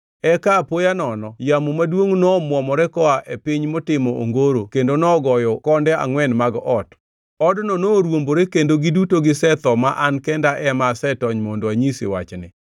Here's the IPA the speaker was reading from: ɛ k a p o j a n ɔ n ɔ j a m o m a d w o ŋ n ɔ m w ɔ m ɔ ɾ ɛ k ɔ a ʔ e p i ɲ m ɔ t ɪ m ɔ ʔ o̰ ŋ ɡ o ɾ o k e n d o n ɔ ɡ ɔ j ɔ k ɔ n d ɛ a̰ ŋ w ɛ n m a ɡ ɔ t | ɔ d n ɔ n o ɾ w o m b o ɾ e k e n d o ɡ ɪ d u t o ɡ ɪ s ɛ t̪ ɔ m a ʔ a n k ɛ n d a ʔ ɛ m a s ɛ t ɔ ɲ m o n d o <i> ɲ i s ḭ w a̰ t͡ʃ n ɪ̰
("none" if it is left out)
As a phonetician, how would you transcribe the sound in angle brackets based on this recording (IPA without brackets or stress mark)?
a